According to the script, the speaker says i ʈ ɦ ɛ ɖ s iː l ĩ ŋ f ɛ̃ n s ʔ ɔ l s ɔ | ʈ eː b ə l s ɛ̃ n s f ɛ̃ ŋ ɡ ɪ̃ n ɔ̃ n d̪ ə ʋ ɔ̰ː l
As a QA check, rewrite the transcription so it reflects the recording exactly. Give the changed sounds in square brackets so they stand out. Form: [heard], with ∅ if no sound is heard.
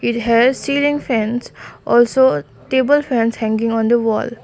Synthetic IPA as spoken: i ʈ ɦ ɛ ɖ s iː l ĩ ŋ f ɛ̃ n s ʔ ɔ l s [o] | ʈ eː b ə l [f] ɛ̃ n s [h] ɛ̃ ŋ ɡ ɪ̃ [ŋ] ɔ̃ n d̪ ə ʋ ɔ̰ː l